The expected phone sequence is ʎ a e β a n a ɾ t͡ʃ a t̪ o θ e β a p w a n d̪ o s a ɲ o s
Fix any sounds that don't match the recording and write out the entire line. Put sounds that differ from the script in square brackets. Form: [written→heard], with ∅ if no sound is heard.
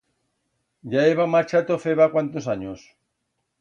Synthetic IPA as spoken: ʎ a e β a [n→m] a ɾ t͡ʃ a t̪ o [θ→f] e β a [p→k] w a n [d̪→t̪] o s a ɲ o s